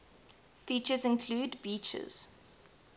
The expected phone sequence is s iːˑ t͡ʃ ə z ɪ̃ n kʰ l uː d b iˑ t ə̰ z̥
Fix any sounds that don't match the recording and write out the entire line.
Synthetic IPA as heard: f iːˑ t͡ʃ ə z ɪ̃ n kʰ l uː d b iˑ t͡ʃ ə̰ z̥